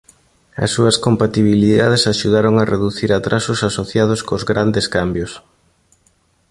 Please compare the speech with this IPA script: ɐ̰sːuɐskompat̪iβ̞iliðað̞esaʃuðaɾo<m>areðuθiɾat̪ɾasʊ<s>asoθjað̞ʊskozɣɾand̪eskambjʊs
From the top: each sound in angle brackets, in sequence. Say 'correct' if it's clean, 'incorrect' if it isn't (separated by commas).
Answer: incorrect, correct